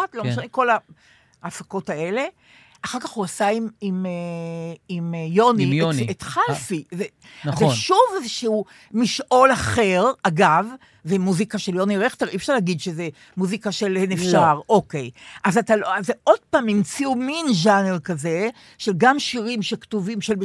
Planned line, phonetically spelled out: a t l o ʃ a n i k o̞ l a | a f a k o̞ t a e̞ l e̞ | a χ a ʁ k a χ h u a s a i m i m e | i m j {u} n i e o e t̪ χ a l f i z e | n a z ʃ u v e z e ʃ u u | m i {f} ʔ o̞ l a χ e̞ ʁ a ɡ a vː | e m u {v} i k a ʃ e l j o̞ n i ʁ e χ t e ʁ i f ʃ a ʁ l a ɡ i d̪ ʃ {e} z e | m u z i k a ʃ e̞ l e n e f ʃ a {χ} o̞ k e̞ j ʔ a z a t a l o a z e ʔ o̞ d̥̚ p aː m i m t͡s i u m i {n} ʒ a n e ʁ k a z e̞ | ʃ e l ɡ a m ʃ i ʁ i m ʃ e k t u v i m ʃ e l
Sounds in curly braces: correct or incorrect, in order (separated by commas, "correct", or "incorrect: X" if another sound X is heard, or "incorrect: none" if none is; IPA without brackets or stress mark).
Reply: incorrect: o, incorrect: ʃ, incorrect: z, correct, incorrect: ʁ, correct